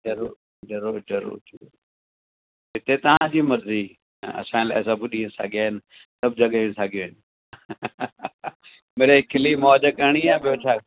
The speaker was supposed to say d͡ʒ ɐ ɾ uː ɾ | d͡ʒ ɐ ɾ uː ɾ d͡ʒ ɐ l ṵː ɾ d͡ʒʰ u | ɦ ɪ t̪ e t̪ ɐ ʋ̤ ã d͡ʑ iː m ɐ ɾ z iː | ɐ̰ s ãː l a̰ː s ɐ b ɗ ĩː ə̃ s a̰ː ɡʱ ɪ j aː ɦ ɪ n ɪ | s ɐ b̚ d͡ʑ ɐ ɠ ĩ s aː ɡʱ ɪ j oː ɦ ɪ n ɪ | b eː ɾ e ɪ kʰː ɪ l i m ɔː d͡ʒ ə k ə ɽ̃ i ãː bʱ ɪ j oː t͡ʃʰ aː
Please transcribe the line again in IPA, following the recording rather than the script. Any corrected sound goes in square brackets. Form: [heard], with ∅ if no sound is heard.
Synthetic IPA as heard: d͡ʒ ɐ ɾ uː ɾ | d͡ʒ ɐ ɾ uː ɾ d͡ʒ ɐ [ɾ] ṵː ɾ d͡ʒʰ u | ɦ ɪ t̪ e t̪ ɐ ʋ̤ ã d͡ʑ iː m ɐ ɾ z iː | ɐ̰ s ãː l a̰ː s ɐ b ɗ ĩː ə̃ s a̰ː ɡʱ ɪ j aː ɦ ɪ n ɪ | s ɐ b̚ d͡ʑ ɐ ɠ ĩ s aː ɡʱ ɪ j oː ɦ ɪ n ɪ | [m] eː ɾ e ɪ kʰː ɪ l i m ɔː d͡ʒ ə k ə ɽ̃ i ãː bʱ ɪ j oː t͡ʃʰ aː